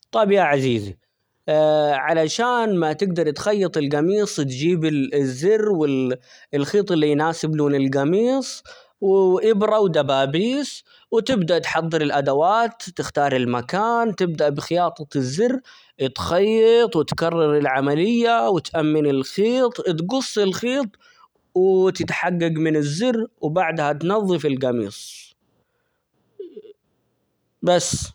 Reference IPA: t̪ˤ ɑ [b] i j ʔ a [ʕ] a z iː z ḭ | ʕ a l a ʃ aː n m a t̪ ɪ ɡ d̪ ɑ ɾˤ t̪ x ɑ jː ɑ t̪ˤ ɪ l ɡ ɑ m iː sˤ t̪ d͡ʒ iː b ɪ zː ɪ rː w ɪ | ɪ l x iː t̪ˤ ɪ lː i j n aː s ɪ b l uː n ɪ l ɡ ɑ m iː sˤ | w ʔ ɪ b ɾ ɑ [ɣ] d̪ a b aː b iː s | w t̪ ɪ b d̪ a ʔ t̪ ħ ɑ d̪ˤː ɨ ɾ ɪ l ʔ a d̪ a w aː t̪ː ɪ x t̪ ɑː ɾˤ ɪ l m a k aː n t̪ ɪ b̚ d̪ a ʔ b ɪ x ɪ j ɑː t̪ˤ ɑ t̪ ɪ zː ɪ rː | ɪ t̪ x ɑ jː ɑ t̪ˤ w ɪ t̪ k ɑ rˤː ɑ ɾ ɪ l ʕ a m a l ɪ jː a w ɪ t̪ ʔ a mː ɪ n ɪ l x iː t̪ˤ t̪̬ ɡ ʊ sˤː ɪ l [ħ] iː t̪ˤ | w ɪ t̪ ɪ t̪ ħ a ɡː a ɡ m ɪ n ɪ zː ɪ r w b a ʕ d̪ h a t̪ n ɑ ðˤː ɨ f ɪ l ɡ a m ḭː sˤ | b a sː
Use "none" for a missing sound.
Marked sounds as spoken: b, ʕ, w, x

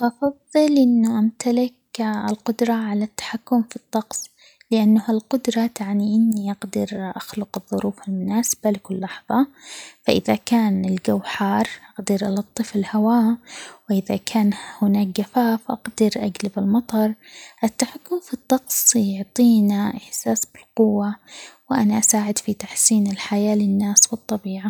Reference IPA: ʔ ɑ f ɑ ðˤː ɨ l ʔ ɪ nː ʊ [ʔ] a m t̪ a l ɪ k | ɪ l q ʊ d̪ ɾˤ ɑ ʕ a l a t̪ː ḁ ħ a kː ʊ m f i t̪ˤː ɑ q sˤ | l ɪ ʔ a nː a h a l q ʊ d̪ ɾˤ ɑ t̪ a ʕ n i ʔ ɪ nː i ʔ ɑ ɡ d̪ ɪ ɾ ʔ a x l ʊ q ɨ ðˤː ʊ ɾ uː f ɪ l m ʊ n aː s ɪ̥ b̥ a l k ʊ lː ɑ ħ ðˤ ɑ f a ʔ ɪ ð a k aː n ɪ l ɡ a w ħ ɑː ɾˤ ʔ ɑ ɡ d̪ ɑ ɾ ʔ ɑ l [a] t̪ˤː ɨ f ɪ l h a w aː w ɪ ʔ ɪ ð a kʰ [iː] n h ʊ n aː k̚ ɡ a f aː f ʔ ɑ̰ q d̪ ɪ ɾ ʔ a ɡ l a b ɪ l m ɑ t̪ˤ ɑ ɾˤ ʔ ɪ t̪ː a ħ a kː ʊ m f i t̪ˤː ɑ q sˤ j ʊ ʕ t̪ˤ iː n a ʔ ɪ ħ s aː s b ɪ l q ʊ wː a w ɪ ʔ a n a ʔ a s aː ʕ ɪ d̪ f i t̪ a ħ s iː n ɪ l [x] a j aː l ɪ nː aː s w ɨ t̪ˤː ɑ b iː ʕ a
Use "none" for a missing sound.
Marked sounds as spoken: ʔ, ɑ, aː, ħ

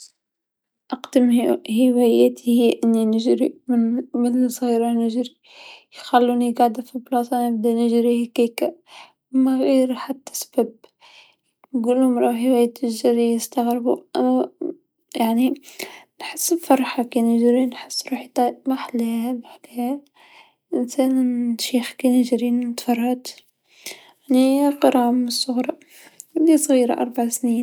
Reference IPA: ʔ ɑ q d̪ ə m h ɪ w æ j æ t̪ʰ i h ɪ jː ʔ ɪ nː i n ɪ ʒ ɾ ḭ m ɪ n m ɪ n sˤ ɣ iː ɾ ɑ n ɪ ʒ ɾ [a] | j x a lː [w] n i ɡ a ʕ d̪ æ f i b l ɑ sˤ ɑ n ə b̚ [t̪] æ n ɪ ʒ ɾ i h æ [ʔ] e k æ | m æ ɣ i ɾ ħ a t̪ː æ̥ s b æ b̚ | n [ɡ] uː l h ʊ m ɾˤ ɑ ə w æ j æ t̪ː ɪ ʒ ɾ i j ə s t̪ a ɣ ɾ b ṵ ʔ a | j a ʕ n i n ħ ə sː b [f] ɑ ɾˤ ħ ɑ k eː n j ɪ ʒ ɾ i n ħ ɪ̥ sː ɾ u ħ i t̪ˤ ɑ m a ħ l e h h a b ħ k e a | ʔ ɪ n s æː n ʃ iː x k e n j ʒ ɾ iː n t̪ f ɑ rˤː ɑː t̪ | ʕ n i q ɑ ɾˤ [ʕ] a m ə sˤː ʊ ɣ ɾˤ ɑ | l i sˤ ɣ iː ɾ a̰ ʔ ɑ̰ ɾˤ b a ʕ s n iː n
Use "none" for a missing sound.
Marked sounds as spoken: i, u, d̪, k, ɡ, f, ʕ

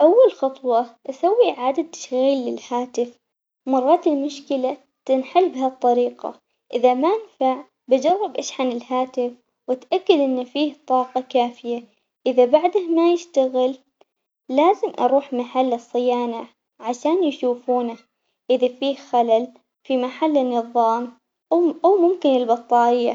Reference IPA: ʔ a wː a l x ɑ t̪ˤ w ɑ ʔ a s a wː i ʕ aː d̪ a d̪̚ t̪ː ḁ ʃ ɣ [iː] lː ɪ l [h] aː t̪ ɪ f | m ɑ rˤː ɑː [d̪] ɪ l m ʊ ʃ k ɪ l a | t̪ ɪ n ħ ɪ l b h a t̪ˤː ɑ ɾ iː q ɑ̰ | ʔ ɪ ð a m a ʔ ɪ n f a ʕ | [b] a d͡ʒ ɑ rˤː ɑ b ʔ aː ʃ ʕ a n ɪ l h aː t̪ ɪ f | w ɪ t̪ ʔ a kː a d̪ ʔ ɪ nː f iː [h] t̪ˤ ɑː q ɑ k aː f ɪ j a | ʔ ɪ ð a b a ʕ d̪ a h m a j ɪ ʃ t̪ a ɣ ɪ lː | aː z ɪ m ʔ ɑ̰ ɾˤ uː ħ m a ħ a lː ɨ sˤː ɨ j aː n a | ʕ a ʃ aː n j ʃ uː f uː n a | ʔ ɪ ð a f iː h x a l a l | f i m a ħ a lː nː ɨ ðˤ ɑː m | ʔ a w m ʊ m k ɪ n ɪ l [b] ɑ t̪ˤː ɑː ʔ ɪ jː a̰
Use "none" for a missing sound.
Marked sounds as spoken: iː, h, t̪, b, h, b

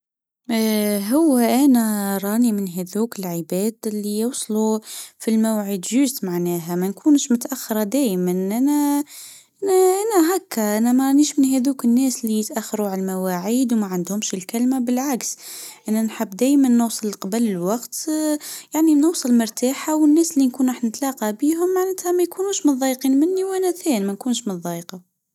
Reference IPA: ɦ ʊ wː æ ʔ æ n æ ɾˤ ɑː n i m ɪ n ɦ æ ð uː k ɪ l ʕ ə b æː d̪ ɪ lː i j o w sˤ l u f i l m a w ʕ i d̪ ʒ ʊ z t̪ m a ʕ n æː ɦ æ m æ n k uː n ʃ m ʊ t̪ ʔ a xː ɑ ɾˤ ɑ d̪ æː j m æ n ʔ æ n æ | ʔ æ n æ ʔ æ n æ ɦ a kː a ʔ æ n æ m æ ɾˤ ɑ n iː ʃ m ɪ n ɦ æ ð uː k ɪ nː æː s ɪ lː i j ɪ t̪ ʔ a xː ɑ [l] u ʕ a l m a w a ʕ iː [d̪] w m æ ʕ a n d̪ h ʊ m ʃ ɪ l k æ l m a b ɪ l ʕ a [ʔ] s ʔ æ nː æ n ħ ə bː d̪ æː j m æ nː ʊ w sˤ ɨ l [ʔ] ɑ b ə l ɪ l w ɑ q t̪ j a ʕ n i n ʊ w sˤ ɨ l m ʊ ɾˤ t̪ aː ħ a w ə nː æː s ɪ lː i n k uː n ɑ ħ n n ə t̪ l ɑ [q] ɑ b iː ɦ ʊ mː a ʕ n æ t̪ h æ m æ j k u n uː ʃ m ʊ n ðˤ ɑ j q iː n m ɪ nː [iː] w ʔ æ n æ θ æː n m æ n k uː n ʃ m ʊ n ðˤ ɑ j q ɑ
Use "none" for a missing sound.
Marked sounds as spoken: ɾ, d̪, k, q, q, i

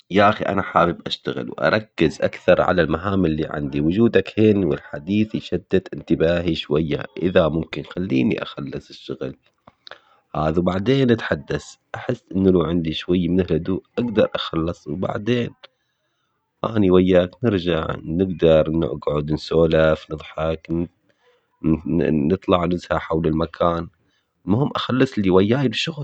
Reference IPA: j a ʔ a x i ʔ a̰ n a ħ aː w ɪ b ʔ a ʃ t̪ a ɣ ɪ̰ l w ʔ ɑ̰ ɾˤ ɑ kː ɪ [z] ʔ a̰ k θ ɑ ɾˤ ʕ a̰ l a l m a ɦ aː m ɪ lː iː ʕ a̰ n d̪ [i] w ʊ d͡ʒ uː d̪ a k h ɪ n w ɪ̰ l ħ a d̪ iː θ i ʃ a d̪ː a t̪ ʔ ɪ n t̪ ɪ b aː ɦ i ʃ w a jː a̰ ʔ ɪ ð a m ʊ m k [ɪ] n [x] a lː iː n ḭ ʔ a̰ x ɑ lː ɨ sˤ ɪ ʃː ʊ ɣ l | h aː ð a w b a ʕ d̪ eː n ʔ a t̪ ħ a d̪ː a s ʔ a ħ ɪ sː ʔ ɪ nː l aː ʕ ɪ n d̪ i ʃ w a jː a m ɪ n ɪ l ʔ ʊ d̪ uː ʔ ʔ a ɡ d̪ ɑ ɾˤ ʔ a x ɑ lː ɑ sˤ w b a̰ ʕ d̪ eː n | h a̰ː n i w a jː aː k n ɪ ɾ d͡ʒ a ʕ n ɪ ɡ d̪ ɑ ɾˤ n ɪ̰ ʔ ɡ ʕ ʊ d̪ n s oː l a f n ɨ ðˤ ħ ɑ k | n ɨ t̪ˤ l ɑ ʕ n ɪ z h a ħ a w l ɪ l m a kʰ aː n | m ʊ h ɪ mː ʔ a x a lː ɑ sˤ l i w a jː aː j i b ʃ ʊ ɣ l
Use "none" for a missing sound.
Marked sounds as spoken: z, i, ɪ, x

